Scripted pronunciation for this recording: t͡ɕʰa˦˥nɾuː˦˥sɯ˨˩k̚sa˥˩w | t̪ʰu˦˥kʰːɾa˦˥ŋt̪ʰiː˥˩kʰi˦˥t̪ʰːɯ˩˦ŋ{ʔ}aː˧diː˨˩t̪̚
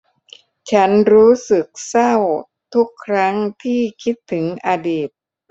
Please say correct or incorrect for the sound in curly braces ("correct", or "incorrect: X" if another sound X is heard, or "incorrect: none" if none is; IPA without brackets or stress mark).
correct